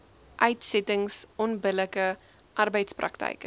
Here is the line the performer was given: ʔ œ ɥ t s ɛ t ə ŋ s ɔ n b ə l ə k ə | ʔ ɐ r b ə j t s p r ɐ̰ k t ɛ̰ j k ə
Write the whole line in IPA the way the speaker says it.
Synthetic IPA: ʔ œ ɥ t s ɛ t ə ŋ s ɔ n b ə l ə k ə | ʔ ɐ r b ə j t s p r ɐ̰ k t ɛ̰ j k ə

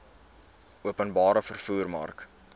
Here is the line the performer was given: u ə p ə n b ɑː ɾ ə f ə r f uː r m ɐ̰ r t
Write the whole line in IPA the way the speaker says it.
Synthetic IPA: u ə p ə n b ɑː ɾ ə f ə r f uː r m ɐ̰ r k

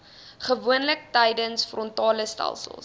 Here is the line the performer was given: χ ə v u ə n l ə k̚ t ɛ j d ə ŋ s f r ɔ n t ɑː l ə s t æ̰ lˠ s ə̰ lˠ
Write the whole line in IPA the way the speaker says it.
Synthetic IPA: χ ə v u ə n l ə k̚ t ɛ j d ə n s f r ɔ n t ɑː l ə s t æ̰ lˠ s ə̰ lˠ

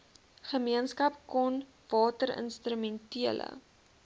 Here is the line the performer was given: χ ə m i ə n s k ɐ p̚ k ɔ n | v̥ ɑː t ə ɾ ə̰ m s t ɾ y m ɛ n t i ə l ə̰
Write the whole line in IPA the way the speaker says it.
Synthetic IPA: χ ə m i ə n s k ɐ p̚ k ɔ n | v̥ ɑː t ə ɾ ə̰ n s t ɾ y m ɛ n t i ə l ə̰

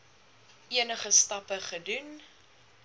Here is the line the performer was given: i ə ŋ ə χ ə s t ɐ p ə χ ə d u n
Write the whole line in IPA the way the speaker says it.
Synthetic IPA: i ə n ə χ ə s t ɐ p ə χ ə d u n

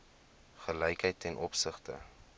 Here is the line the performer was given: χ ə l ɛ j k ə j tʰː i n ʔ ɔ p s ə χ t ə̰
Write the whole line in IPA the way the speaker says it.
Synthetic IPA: χ ə l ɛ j k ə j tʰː ɛ n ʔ ɔ p s ə χ t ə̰

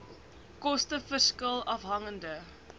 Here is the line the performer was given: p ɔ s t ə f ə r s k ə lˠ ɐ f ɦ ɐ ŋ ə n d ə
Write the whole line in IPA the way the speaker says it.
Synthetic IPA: k ɔ s t ə f ə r s k ə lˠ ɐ f ɦ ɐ ŋ ə n d ə

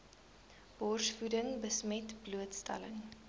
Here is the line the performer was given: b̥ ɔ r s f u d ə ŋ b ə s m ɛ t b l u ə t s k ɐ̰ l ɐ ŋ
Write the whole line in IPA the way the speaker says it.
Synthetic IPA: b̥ ɔ r s f u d ə ŋ b ə s m ɛ t b l u ə t s t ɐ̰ l ə ŋ

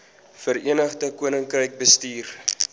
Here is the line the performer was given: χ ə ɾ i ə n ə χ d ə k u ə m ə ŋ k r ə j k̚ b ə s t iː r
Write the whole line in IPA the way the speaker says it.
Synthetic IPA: f ə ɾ i ə n ə χ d ə k u ə n ə ŋ k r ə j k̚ b ə s t iː r

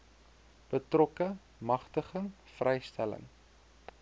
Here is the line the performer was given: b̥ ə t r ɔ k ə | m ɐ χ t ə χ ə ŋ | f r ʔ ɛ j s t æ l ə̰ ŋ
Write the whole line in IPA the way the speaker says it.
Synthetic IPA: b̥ ə t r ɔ k ə | m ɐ χ t ə χ ə ŋ | f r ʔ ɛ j s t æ l ə̰ ŋ

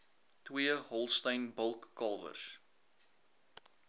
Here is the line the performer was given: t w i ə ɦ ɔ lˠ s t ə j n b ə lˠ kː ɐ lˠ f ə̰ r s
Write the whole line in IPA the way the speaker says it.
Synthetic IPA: t w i ə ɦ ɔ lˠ s t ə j n b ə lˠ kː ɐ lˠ v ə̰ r s

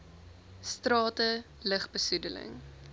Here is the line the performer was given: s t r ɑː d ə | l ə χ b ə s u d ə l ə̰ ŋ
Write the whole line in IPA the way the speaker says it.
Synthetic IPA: s t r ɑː t ə | l ə χ b ə s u d ə l ə̰ ŋ

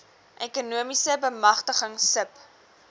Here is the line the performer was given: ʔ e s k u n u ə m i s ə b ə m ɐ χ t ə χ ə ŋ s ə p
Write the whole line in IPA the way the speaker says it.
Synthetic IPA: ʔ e k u n u ə m i s ə b ə m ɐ χ t ə χ ə ŋ s ə p

